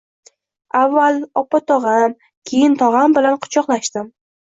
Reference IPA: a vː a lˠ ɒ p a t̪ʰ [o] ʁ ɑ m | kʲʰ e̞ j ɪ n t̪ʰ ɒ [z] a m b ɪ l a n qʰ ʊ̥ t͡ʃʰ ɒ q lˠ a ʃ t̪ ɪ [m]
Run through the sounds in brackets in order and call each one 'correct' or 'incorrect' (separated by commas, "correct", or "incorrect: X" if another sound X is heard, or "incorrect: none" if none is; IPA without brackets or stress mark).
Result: incorrect: ɒ, incorrect: ʁ, correct